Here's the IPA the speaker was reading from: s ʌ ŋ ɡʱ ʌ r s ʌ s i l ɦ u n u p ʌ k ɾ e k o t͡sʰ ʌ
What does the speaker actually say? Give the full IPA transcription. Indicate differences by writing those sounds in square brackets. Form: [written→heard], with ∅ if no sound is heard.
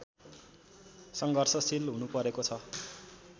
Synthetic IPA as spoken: s ʌ ŋ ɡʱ ʌ r s ʌ s i l ɦ u n u p ʌ [k→∅] ɾ e k o t͡sʰ ʌ